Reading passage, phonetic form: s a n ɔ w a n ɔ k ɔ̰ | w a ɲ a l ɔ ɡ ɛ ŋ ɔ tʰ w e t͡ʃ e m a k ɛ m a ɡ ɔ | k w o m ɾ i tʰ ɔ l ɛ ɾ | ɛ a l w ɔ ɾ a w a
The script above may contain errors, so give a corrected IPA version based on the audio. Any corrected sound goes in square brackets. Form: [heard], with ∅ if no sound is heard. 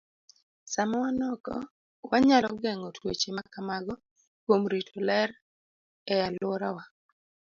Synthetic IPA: s a [m] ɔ w a n ɔ k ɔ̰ | w a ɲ a l ɔ ɡ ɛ ŋ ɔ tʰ w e t͡ʃ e m a k [a] m a ɡ ɔ | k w o m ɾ i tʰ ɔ l ɛ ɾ | ɛ a l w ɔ ɾ a w a